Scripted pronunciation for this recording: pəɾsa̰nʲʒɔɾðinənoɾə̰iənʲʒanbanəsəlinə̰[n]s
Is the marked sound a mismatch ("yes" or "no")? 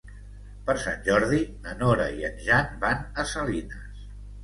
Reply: yes